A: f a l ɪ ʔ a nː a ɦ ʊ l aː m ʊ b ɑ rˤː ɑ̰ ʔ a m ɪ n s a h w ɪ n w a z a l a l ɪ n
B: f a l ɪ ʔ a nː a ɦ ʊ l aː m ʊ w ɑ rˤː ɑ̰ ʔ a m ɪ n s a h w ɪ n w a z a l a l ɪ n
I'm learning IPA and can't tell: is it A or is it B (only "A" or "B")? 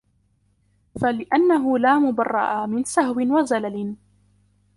A